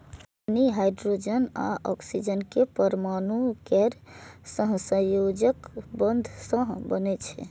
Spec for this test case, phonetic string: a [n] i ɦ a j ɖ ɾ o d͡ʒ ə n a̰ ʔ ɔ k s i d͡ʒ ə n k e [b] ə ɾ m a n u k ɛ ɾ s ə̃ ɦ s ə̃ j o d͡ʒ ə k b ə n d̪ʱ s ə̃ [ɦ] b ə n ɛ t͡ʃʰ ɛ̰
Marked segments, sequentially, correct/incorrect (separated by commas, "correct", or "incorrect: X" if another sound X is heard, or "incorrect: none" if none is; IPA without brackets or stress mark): correct, incorrect: p, correct